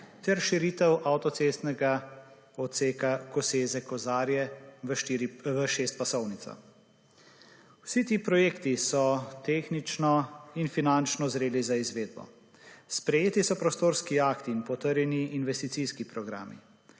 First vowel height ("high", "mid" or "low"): mid